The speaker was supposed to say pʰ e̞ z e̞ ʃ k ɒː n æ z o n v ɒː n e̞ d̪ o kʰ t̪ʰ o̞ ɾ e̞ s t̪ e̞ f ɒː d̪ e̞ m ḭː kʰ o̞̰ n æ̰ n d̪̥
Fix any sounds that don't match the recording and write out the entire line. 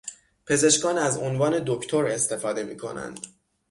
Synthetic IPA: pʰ e̞ z e̞ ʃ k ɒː n æ z o n v ɒː n e̞ d̪ o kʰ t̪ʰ o̞ ɾ e̞ s t̪ e̞ f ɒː d̪ e̞ m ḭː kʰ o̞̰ n æ̰ n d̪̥

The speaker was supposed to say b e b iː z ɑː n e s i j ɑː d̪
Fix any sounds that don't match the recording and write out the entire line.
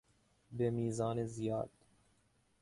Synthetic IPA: b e m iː z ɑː n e z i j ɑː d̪

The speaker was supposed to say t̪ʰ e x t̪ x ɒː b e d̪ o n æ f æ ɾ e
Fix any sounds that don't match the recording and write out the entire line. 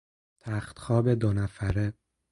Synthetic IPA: t̪ʰ æ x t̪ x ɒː b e d̪ o n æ f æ ɾ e

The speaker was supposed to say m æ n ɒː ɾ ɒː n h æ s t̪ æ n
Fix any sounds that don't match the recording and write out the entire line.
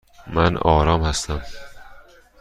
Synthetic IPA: m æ n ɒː ɾ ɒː m h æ s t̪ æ m

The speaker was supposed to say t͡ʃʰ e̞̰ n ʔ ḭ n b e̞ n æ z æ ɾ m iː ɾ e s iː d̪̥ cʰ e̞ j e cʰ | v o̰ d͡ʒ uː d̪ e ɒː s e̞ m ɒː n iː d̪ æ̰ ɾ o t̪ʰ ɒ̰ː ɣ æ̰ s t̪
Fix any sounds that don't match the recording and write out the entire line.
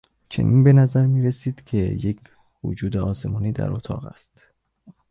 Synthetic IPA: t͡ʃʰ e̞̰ n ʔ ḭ n b e̞ n æ z æ ɾ m iː ɾ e s iː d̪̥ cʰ e̞ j e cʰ | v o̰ d͡ʒ uː d̪ e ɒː s e̞ m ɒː n iː d̪ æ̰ ɾ o t̪ʰ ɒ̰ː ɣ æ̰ s t̪

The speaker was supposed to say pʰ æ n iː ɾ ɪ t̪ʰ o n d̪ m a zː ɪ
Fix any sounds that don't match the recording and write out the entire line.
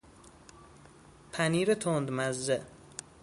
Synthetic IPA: pʰ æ n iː ɾ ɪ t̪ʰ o n d̪ m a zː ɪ

